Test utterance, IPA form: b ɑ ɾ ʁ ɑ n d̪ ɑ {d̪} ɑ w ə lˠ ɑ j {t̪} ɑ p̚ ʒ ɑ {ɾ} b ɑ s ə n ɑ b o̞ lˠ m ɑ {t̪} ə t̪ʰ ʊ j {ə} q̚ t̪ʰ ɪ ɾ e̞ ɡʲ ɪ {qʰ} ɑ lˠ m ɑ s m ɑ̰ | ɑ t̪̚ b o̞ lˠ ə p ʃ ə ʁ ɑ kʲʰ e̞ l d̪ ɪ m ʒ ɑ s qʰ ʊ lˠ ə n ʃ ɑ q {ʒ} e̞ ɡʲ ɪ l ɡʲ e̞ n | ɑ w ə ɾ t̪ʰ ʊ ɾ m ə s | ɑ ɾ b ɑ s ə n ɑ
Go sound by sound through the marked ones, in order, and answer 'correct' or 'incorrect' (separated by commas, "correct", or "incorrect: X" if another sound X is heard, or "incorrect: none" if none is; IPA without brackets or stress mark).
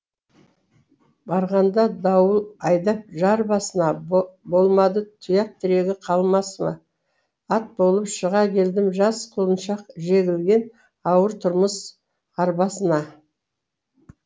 correct, incorrect: d̪, correct, incorrect: d̪, incorrect: ɑ, correct, correct